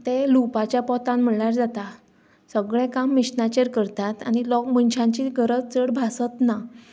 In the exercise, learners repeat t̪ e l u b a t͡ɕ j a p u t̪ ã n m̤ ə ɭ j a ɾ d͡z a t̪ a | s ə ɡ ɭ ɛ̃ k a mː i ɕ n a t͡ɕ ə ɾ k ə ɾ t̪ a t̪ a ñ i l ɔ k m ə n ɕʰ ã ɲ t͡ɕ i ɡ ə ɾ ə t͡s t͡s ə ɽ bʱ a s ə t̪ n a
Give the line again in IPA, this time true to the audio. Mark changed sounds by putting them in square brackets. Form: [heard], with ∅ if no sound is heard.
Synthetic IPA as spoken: t̪ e l u [p] a t͡ɕ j a p [ɔ] t̪ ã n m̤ ə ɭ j a ɾ d͡z a t̪ a | s ə ɡ ɭ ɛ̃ k a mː i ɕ n a t͡ɕ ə ɾ k ə ɾ t̪ a t̪ a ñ i l ɔ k m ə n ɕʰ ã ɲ t͡ɕ i ɡ ə ɾ ə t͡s t͡s ə ɽ bʱ a s ə t̪ n a

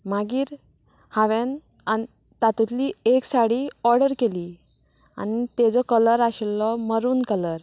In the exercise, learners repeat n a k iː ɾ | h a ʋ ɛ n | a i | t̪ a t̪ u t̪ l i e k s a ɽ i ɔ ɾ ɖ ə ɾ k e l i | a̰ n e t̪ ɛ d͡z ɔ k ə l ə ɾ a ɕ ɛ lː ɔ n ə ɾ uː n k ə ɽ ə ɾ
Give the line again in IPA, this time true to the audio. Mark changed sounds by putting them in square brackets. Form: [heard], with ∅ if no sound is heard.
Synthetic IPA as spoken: [m] a [ɡ] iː ɾ | h a ʋ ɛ n | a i | t̪ a t̪ u t̪ l i e k s a ɽ i ɔ ɾ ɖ ə ɾ k e l i | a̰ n [i] t̪ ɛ d͡z ɔ k ə l ə ɾ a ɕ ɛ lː ɔ [m] ə ɾ uː n k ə [l] ə ɾ

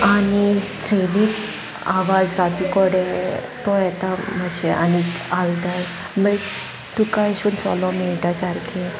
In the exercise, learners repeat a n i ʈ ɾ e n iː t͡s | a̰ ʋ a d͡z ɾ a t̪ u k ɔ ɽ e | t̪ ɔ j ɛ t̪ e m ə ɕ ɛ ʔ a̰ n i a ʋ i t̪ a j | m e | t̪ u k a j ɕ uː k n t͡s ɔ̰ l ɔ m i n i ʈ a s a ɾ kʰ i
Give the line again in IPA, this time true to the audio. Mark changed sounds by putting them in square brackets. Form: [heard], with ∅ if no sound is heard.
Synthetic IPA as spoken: a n i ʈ ɾ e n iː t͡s | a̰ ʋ a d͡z ɾ a t̪ u k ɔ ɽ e | t̪ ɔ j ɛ t̪ [a] m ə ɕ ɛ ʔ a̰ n i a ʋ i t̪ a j | m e | t̪ u k a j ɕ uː [∅] n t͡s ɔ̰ l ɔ m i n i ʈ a s a ɾ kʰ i

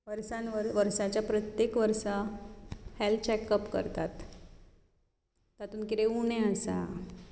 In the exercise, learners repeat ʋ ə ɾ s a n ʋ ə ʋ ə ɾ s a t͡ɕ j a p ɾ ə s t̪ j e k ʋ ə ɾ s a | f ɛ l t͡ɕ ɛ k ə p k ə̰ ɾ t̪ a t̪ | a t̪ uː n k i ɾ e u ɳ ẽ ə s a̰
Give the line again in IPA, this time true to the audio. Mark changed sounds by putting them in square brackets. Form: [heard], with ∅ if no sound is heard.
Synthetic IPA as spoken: ʋ ə ɾ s a n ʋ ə ʋ ə ɾ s a t͡ɕ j a p ɾ ə [∅] t̪ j e k ʋ ə ɾ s a | [h] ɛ l t͡ɕ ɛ k ə p k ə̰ ɾ t̪ a t̪ | a t̪ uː n k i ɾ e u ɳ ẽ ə s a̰

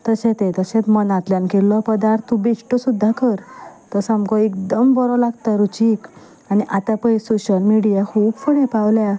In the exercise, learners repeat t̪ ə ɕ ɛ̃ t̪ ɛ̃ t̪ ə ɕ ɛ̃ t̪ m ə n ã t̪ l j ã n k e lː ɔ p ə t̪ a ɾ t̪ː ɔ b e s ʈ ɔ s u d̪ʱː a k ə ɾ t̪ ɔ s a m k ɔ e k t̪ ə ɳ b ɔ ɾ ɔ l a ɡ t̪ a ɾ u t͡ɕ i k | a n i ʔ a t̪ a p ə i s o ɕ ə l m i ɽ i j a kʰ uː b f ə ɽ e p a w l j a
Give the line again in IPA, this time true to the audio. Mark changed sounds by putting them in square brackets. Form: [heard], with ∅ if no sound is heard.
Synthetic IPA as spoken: t̪ ə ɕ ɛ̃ t̪ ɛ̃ t̪ ə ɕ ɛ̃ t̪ m ə n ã t̪ l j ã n k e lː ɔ p ə [d̪] a ɾ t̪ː [u] b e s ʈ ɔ s u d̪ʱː a k ə ɾ t̪ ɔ s a m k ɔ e k [d̪] ə [m] b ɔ ɾ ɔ l a ɡ t̪ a ɾ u t͡ɕ i k | a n i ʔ a t̪ a p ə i s o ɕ ə l m i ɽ i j a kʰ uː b f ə ɽ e p a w l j a

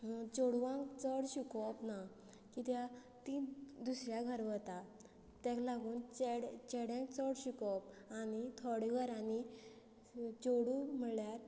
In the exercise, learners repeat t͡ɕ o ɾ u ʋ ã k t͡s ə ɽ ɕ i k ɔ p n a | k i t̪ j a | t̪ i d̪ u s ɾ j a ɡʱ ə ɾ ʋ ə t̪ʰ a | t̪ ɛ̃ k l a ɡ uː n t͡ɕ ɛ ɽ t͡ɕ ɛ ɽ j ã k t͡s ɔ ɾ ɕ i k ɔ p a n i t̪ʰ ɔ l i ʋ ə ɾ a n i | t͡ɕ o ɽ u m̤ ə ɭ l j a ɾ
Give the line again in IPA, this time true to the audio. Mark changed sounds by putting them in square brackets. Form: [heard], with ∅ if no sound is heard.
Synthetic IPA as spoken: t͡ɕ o [ɽ] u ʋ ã k t͡s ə ɽ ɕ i k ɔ p n a | k i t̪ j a | t̪ i d̪ u s ɾ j a ɡʱ ə ɾ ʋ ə [t̪] a | t̪ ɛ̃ k l a ɡ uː n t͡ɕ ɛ ɽ t͡ɕ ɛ ɽ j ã k t͡s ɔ [ɽ] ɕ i k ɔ p a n i t̪ʰ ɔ [ɽ] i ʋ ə ɾ a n i | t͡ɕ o ɽ u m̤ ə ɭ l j a ɾ

